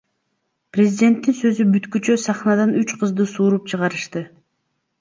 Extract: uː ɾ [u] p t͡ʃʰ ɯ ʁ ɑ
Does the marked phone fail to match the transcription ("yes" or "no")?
no